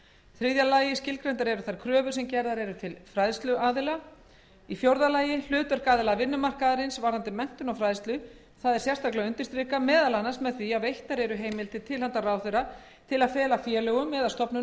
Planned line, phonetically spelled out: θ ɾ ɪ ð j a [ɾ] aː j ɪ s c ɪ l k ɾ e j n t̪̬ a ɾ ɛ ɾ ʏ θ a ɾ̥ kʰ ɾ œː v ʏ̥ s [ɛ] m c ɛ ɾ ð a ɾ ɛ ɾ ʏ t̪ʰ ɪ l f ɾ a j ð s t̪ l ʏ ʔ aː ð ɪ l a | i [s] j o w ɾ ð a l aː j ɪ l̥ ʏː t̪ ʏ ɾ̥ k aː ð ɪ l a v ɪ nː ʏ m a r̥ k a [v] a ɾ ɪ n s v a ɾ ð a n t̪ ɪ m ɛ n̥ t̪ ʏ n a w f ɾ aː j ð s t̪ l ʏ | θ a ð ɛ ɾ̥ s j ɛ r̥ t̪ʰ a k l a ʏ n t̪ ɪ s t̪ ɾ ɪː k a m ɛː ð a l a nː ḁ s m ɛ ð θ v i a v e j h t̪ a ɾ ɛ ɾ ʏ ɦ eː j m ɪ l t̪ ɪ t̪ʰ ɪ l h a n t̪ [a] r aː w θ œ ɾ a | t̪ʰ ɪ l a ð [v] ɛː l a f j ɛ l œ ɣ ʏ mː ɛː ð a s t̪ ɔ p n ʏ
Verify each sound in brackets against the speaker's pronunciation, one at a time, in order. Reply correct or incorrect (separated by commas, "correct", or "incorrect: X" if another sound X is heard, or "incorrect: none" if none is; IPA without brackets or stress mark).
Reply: incorrect: l, correct, incorrect: f, incorrect: ð, correct, incorrect: f